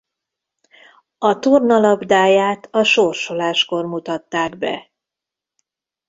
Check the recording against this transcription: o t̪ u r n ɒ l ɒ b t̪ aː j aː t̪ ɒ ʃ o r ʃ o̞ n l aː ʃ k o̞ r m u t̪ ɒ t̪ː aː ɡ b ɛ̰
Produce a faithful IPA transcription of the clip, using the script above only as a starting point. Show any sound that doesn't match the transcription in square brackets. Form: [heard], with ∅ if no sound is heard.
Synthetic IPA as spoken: [ɒ] t̪ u r n ɒ l ɒ b [d̪] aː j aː t̪ ɒ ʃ o r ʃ o̞ [∅] l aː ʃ k o̞ r m u t̪ ɒ t̪ː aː ɡ b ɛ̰